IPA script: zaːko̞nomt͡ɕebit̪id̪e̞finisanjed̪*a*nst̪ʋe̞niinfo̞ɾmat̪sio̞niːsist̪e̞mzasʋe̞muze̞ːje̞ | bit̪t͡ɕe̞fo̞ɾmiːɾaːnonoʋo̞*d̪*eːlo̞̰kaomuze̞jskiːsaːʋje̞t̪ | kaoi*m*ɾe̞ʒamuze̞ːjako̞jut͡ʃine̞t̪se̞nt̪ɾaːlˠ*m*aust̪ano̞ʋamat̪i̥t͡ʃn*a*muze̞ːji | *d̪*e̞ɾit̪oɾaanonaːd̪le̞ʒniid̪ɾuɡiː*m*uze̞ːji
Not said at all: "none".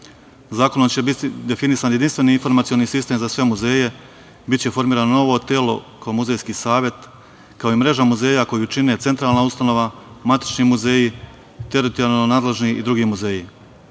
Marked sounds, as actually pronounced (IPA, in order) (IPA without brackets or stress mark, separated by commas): i, t̪, m, n, i, t̪, m